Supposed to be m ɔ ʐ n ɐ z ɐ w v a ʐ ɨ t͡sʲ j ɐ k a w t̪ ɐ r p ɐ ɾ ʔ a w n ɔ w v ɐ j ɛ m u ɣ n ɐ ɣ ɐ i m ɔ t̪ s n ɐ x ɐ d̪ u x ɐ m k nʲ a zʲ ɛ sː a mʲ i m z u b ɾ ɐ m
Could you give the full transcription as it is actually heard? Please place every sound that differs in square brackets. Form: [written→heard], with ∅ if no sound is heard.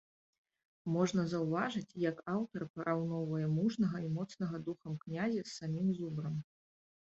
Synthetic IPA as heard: m ɔ ʐ n ɐ z ɐ w v a ʐ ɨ t͡sʲ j ɐ k a w t̪ ɐ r p ɐ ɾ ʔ a w n ɔ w v ɐ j ɛ m u [ɣ→ʐ] n ɐ ɣ ɐ i m ɔ t̪ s n ɐ [x→ɣ] ɐ d̪ u x ɐ m k nʲ a zʲ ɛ sː a mʲ i m z u b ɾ ɐ m